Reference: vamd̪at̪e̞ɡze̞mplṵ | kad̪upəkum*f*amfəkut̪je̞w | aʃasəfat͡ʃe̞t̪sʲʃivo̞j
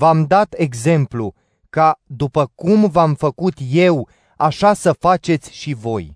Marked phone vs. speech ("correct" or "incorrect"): incorrect